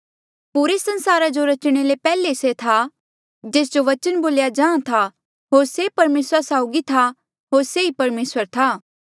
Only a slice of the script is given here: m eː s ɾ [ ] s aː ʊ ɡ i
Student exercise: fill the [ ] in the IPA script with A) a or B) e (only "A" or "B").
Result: A